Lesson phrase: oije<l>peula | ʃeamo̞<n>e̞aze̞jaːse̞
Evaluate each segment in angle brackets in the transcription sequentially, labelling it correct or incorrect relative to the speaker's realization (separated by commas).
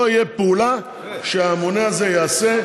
incorrect, correct